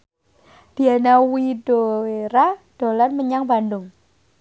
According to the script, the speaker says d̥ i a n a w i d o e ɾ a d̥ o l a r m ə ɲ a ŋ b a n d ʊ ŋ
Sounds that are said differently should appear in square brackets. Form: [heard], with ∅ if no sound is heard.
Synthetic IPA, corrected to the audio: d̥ i a n a w i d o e ɾ a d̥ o l a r m ə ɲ a ŋ b a n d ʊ ŋ